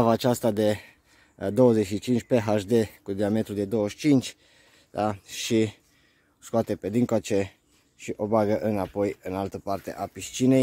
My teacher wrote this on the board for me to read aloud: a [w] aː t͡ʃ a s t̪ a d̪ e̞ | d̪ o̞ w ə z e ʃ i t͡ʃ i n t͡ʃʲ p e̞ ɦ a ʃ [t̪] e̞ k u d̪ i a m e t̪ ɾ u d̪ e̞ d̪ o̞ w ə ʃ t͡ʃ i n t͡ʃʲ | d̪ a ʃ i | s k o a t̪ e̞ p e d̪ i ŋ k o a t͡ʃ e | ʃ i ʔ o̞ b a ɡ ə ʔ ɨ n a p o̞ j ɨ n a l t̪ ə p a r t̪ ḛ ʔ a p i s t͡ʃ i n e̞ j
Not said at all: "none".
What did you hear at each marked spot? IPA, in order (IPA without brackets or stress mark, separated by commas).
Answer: v, d̪